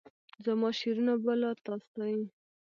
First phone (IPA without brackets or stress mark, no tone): z